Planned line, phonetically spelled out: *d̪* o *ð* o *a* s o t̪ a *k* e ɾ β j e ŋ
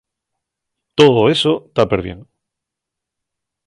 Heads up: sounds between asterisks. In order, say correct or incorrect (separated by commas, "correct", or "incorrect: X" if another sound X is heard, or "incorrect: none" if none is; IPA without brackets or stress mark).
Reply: incorrect: t̪, correct, incorrect: e, incorrect: p